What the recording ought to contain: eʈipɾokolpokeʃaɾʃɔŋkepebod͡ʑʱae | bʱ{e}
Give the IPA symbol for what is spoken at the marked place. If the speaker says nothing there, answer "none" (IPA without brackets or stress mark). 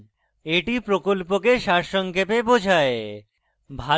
a